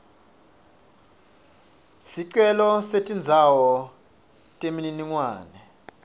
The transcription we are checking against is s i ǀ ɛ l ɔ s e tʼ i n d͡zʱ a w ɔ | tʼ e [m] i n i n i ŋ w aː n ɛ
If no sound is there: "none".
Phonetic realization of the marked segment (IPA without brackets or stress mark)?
m